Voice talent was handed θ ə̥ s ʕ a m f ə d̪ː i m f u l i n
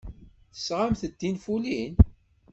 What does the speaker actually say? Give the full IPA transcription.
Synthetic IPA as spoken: θ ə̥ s ʁ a m θ ə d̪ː i n f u l i n